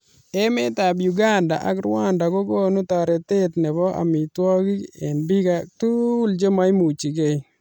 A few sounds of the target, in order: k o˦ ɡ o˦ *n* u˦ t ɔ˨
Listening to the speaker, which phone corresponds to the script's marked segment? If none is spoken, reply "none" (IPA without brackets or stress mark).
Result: n